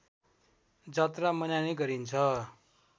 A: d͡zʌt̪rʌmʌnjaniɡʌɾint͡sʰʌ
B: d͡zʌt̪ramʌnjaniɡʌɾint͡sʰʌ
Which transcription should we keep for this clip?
B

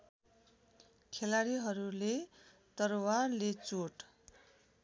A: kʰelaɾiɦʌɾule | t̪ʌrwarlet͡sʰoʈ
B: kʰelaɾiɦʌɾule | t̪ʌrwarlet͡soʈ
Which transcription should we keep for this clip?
B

